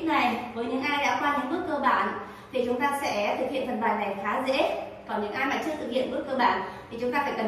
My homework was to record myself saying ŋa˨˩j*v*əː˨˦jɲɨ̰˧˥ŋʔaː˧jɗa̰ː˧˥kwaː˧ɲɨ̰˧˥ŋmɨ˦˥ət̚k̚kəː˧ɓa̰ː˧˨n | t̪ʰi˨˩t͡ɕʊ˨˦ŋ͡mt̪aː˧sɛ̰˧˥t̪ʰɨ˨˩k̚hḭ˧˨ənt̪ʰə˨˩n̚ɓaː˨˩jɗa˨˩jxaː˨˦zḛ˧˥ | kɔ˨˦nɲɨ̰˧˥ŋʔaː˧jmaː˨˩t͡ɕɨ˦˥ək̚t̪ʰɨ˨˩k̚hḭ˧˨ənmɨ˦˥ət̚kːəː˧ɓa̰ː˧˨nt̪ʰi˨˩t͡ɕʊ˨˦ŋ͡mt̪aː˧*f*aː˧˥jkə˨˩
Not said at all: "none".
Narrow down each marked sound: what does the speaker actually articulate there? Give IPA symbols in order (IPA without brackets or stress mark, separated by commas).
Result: v, f